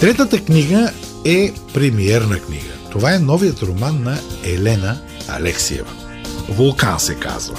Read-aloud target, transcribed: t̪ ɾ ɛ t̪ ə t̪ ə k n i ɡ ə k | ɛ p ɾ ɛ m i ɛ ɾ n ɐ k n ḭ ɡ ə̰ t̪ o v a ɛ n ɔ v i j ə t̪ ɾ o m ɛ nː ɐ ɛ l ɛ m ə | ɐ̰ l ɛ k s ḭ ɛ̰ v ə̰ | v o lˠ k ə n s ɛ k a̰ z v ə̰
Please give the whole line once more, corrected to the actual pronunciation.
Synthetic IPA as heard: t̪ ɾ ɛ t̪ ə t̪ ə k n i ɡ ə | ɛ p ɾ ɛ m i ɛ ɾ n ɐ k n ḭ ɡ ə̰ t̪ o v a ɛ n ɔ v i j ə t̪ ɾ o m a nː ɐ ɛ l ɛ n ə | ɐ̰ l ɛ k s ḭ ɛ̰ v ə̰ | v o lˠ k a n s ɛ k a̰ z v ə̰